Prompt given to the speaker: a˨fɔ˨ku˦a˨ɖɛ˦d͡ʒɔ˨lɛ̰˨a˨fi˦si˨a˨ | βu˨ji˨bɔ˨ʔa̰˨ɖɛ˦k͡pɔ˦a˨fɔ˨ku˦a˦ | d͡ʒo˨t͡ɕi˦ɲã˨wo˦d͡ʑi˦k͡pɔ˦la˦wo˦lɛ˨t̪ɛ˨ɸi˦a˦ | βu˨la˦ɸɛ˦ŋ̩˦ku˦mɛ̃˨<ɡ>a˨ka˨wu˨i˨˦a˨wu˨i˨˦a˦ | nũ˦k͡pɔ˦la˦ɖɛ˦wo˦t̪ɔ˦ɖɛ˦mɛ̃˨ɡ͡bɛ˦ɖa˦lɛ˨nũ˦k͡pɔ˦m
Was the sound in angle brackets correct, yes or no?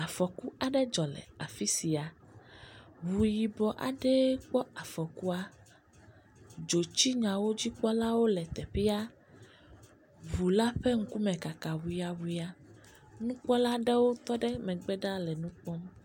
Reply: no